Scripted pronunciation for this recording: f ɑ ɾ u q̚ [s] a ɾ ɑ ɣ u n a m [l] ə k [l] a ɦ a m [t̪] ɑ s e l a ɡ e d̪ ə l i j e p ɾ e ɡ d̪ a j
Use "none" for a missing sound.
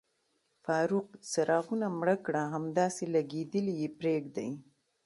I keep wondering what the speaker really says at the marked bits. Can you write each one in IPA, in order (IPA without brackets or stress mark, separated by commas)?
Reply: s, ɽ, ɽ, d̪